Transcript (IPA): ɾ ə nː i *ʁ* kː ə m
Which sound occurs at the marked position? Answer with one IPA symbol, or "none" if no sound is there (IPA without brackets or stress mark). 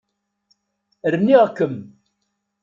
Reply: ʁ